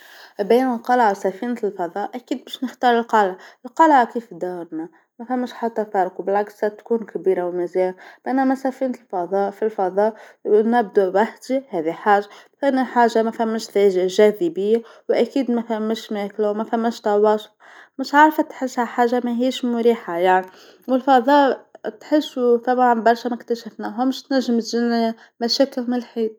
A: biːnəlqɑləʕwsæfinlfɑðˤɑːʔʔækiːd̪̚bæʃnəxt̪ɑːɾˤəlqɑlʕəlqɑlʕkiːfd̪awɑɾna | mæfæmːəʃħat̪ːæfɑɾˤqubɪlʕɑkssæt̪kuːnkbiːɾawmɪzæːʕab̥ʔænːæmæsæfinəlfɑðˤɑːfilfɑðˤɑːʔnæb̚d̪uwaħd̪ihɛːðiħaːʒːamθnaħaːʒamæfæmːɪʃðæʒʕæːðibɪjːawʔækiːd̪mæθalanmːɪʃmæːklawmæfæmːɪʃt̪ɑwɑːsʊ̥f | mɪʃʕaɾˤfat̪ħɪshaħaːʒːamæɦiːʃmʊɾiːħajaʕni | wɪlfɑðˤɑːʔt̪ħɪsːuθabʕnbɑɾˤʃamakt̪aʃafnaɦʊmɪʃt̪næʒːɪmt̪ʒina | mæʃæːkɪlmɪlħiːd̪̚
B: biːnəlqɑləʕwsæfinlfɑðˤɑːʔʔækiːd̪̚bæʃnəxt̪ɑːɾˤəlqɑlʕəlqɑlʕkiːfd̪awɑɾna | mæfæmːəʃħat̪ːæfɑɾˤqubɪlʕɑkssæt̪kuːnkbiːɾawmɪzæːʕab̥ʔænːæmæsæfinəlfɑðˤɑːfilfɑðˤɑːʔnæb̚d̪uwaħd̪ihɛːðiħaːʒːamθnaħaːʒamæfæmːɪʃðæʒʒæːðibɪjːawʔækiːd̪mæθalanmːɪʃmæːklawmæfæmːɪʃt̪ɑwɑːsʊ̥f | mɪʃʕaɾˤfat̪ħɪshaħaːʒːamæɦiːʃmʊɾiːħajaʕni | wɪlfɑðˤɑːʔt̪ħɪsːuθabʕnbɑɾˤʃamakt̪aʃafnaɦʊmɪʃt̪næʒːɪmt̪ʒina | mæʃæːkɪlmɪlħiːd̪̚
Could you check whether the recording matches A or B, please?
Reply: B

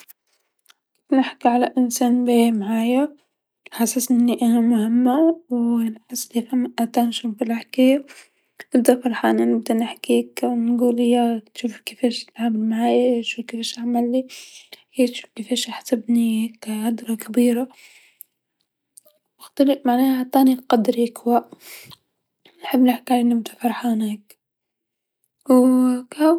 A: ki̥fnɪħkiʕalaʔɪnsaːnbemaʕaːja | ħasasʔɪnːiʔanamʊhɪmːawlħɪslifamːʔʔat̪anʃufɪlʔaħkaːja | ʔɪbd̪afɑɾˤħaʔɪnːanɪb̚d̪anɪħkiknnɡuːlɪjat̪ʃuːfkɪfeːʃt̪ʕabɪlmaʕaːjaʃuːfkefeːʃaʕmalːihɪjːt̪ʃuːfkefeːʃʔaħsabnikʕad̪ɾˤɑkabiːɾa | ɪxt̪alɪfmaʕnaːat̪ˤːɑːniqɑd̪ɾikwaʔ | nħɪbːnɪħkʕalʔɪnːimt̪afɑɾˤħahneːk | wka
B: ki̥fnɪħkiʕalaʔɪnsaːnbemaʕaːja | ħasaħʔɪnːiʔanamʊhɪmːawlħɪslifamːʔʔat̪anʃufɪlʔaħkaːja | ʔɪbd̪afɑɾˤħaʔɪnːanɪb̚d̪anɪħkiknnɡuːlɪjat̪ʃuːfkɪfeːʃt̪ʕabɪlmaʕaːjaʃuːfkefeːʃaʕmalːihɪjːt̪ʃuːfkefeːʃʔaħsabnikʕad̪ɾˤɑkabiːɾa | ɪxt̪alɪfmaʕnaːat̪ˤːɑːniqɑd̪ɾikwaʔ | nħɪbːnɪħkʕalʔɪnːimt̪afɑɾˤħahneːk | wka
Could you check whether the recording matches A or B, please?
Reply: A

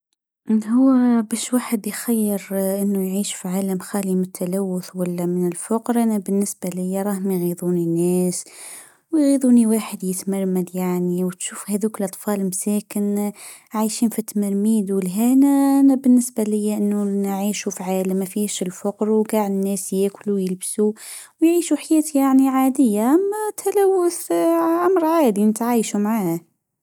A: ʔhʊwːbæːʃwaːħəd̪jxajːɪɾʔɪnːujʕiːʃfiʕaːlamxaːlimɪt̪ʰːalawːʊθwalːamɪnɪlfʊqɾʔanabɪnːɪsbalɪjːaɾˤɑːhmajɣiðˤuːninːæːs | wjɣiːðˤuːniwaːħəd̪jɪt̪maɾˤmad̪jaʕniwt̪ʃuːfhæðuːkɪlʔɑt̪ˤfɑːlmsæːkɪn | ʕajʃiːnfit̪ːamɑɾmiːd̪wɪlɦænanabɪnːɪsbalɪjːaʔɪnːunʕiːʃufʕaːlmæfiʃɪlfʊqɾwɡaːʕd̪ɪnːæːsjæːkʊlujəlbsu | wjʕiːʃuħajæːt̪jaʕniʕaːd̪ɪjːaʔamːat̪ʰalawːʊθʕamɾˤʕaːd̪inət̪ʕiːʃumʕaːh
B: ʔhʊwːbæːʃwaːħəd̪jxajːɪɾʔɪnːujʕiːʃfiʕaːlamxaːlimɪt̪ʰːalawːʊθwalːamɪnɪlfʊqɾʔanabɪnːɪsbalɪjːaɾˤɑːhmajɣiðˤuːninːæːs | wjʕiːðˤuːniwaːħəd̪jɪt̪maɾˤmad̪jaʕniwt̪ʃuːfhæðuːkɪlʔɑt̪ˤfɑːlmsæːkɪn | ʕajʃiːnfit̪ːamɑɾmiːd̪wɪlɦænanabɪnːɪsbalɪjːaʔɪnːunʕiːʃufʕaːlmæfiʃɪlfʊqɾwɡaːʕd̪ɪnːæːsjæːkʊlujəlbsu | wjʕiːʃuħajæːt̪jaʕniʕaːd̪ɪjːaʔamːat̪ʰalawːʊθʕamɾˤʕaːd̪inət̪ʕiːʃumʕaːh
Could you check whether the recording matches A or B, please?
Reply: A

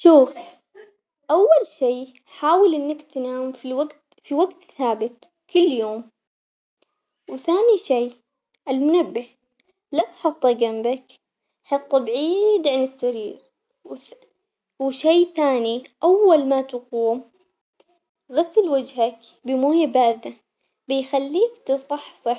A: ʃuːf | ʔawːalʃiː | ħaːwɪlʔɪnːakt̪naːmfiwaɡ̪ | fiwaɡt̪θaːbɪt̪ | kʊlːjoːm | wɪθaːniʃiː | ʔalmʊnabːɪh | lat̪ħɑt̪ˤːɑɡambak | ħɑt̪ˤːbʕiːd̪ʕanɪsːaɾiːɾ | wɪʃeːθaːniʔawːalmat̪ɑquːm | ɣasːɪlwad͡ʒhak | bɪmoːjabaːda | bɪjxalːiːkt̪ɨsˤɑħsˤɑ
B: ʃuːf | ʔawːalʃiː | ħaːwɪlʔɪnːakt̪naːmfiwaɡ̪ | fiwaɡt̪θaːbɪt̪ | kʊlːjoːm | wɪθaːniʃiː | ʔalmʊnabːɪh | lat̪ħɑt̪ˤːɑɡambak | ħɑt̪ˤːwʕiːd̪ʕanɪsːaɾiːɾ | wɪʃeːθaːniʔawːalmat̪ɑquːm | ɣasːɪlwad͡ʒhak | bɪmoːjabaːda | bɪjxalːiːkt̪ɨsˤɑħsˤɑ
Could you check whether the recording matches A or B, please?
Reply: A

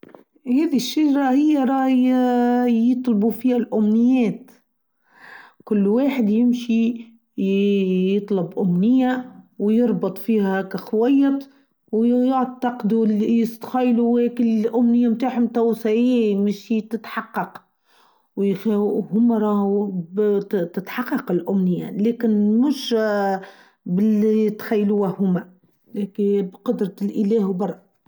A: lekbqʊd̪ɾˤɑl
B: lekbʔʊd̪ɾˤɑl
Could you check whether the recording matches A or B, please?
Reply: A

